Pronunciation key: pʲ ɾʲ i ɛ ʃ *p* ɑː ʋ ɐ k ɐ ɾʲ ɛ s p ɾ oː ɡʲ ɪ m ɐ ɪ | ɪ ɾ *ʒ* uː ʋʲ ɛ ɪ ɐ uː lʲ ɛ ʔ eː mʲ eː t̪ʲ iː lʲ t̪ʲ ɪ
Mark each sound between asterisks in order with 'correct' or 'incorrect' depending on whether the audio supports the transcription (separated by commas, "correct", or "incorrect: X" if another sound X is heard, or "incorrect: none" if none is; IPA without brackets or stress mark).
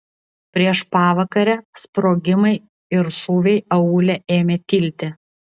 correct, incorrect: ʃ